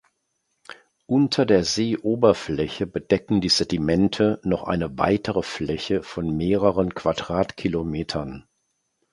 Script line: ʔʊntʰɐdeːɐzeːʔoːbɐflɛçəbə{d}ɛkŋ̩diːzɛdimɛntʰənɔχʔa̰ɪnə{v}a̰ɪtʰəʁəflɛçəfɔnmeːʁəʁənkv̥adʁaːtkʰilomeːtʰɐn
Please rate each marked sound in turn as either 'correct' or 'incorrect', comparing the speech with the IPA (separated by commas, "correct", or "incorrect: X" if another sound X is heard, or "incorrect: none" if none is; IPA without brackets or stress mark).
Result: correct, correct